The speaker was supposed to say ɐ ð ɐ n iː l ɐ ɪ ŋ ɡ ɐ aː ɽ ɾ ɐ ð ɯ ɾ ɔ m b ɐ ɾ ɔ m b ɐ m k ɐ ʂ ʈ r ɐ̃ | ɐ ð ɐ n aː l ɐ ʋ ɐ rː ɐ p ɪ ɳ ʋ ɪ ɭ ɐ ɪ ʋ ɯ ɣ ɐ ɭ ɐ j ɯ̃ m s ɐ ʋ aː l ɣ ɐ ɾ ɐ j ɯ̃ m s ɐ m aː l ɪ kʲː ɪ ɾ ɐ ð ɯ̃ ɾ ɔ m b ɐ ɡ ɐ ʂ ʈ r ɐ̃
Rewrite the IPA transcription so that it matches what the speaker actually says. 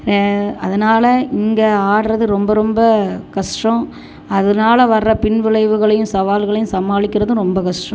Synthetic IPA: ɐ ð ɐ n aː l ɐ ɪ ŋ ɡ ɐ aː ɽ ɾ ɐ ð ɯ ɾ ɔ m b ɐ ɾ ɔ m b ɐ k ɐ ʂ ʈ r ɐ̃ | ɐ ð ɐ n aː l ɐ ʋ ɐ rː ɐ p ɪ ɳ ʋ ɪ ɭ ɐ ɪ ʋ ɯ ɣ ɐ ɭ ɐ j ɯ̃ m s ɐ ʋ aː l ɣ ɐ ɭ ɐ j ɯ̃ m s ɐ m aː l ɪ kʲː ɪ ɾ ɐ ð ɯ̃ ɾ ɔ m b ɐ k ɐ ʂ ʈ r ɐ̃

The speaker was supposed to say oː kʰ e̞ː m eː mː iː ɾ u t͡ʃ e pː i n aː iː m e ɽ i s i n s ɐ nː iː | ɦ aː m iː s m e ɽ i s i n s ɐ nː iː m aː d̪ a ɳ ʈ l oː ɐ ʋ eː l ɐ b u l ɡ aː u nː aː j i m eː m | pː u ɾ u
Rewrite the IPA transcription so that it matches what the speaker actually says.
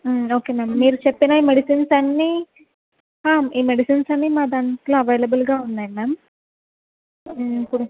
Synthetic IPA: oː k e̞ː m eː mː iː ɾ u t͡ʃ e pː i n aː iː m e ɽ i s i n s ɐ nː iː | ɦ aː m iː m e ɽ i s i n s ɐ nː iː m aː d̪ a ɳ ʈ l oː ɐ ʋ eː l ɐ b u l ɡ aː u nː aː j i m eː m | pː u ɽ u

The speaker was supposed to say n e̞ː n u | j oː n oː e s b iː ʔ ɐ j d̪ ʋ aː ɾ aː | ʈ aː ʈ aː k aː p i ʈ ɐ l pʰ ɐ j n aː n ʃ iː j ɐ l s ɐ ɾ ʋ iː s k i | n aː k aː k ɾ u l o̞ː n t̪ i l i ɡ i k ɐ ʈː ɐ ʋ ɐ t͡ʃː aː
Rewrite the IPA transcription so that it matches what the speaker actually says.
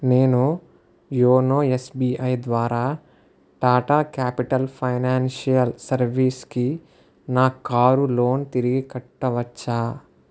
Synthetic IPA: n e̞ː n u | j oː n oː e s b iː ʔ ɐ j d̪ ʋ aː ɾ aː | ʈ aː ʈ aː k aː p i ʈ ɐ l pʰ ɐ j n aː n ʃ i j ɐ l s ɐ ɾ ʋ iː s k i | n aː k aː ɾ u l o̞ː n t̪ i ɾ i ɡ i k ɐ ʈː ɐ ʋ ɐ t͡ʃː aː

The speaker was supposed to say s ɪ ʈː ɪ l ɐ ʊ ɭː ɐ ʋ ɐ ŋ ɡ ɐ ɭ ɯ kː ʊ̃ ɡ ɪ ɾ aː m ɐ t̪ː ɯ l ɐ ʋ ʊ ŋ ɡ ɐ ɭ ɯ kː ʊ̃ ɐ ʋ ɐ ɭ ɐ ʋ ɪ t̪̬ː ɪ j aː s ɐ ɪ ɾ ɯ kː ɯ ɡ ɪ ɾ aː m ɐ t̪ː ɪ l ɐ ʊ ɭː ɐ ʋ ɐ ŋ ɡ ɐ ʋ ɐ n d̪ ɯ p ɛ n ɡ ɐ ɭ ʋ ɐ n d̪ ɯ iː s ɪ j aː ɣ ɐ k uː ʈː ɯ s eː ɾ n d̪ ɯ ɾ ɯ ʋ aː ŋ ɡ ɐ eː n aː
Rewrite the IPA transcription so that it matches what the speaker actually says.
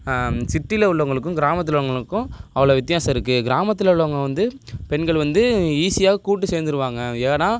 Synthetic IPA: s ɪ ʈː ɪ l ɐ ʊ ɭː ɐ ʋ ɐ ŋ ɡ ɐ ɭ ɯ kː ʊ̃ ɡ ɪ ɾ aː m ɐ t̪ː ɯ l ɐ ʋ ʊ ŋ ɡ ɐ ɭ ɯ kː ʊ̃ ɐ ʋ ɐ ɭ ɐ ʋ ɪ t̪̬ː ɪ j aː s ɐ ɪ ɾ ɯ kː ɯ ɡ ɪ ɾ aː m ɐ t̪ː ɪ l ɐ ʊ ɭː ɐ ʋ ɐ ŋ ɡ ɐ ʋ ɐ n d̪ ɯ p ɛ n ɡ ɐ ɭ ʋ ɐ n d̪ ɯ iː s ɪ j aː ɣ ɐ k uː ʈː ɯ s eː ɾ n d̪ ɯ ɾ ɯ ʋ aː ŋ ɡ ɐ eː n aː

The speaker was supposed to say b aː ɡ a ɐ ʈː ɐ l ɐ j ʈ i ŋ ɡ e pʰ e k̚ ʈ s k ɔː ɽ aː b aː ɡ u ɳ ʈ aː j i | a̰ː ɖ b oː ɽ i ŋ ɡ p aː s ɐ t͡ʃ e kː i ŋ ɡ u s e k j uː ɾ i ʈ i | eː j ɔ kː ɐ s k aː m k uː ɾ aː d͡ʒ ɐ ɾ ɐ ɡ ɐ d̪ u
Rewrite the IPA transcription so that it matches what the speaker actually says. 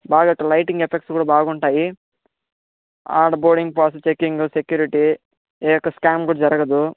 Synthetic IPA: b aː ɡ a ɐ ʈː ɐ l ɐ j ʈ i ŋ ɡ e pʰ e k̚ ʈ s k uː ɽ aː b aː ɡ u ɳ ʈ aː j i | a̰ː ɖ b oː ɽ i ŋ ɡ p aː s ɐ t͡ʃ e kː i ŋ ɡ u s e k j uː ɾ i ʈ i | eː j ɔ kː ɐ s k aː m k uː ɽ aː d͡ʒ ɐ ɾ ɐ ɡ ɐ d̪ u

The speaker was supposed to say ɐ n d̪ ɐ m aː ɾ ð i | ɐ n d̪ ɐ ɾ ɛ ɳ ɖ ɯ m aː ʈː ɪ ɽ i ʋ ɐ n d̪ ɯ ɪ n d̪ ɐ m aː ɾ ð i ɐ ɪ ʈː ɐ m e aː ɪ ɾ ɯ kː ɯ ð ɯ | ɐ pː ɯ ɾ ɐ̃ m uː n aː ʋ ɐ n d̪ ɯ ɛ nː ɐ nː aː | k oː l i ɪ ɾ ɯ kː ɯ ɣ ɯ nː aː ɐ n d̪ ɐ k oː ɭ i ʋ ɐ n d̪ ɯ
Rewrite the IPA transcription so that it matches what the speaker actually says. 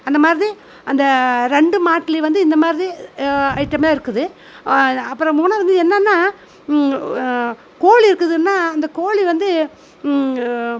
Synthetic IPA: ɐ n d̪ ɐ m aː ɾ ð i | ɐ n d̪ ɐ ɾ ɛ ɳ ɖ ɯ m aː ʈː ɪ l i ʋ ɐ n d̪ ɯ ɪ n d̪ ɐ m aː ɾ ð i ɐ ɪ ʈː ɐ m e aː ɪ ɾ ɯ kː ɯ ð ɯ | ɐ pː ɯ ɾ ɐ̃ m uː n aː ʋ ɐ n d̪ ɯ ɛ nː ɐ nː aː | k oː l i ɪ ɾ ɯ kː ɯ ð ɯ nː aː ɐ n d̪ ɐ k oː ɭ i ʋ ɐ n d̪ ɯ

